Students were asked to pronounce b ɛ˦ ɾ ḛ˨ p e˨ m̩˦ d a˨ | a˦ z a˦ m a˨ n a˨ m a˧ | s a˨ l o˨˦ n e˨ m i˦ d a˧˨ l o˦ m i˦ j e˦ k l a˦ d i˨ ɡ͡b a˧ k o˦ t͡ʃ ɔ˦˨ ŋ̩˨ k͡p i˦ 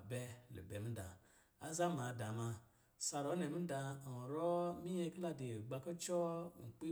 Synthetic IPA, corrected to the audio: b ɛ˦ l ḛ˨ b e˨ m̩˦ d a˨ | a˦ z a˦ m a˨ d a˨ m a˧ | s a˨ ɾ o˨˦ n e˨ m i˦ d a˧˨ ɾ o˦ m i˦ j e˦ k l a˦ d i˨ ɡ͡b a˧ k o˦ t͡ʃ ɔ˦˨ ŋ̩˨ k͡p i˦

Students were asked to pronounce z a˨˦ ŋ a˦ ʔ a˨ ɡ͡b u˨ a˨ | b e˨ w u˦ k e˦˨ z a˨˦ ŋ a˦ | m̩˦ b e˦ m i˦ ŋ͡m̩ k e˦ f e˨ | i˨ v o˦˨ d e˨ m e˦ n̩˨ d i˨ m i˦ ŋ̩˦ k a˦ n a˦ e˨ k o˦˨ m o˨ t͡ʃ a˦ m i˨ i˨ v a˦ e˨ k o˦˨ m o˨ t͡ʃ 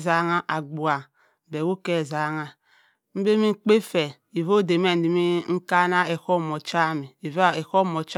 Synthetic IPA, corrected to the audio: z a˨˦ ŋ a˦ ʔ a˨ ɡ͡b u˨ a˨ | b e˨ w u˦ k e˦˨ z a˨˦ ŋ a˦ | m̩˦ b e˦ m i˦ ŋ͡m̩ k͡p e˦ f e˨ | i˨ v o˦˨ d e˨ m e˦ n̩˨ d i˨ m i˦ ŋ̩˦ k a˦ n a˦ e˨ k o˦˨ m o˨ t͡ʃ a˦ m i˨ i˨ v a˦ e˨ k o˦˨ m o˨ t͡ʃ

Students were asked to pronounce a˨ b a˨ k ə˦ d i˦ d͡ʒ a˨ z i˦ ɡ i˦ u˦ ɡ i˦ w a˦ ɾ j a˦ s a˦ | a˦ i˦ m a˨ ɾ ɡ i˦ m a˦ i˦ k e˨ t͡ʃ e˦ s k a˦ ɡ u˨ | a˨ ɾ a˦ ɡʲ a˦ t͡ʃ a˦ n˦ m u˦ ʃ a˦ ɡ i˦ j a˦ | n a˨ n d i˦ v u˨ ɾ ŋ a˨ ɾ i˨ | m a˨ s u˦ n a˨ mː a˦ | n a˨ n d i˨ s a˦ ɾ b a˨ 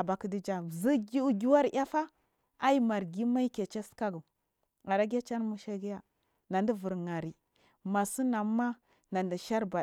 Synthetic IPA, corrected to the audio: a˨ b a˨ k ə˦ d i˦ d͡ʒ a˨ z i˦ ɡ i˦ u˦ ɡ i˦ w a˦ ɾ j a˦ f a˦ | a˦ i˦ m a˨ ɾ ɡ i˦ m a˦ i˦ k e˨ t͡ʃ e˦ s k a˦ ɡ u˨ | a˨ ɾ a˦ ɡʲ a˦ t͡ʃ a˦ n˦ m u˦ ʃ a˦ ɡ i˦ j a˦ | n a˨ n d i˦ v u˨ ɾ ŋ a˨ ɾ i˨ | m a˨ s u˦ n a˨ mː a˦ | n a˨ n d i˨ ʃ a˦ ɾ b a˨

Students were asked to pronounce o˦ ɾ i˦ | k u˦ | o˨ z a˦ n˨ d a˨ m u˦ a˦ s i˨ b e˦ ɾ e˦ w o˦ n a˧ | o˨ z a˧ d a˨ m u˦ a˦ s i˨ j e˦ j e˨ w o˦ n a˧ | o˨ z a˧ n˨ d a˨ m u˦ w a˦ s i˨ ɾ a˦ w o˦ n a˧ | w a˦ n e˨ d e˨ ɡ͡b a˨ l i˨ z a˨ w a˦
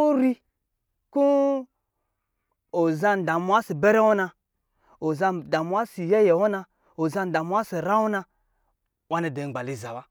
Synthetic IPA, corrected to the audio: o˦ ɾ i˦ | k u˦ | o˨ z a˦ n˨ d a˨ m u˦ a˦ s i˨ b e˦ ɾ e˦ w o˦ n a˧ | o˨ z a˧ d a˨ m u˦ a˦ s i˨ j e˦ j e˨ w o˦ n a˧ | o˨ z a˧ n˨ d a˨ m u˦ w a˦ s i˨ ɾ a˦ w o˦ n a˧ | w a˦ n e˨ d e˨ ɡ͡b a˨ l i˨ z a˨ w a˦

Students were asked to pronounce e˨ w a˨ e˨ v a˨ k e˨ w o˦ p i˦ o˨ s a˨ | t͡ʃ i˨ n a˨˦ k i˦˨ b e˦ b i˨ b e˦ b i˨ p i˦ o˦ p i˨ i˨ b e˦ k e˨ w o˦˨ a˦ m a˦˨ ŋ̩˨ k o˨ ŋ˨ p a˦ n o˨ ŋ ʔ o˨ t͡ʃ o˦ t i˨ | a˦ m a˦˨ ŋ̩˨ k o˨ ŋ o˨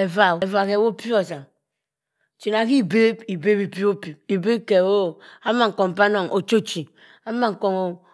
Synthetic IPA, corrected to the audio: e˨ v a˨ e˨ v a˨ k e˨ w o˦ p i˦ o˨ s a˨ | t͡ʃ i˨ n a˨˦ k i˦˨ b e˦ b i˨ b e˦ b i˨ p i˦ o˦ p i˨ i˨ b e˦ k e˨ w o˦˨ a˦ m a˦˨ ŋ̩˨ k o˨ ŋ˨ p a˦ n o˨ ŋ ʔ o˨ t͡ʃ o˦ t͡ʃ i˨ | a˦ m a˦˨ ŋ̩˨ k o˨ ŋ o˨

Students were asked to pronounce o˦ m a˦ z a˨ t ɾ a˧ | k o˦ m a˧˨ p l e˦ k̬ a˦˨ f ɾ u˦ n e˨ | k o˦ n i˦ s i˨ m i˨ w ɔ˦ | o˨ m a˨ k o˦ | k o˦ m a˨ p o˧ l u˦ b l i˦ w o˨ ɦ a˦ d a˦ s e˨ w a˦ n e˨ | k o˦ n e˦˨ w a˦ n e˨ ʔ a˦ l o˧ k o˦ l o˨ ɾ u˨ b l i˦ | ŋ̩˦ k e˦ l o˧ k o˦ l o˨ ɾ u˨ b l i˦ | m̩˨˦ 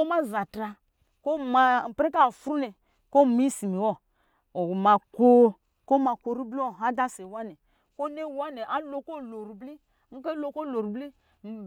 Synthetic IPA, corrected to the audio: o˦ m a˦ z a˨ t ɾ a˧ | k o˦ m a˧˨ p ɾ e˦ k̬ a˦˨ f ɾ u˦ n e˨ | k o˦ m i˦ s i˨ m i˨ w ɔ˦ | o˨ m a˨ k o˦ | k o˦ m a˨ k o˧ ɾ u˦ b l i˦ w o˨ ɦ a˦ d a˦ s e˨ w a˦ n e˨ | k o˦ n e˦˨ w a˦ n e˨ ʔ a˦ l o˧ k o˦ l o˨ ɾ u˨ b l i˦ | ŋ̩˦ k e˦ l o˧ k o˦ l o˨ ɾ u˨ b l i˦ | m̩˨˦

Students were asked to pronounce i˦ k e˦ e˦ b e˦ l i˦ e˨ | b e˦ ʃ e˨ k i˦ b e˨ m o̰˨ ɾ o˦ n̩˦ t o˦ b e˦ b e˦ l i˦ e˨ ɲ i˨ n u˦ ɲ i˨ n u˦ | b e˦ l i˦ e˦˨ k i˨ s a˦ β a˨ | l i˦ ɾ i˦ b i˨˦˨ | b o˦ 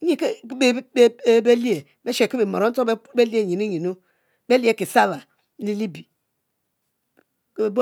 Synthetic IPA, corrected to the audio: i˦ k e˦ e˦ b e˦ l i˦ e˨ | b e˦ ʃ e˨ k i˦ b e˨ m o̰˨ ɾ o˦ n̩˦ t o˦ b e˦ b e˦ l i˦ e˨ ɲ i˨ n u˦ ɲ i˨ n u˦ | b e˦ l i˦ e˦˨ k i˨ s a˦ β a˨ | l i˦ l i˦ b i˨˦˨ | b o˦

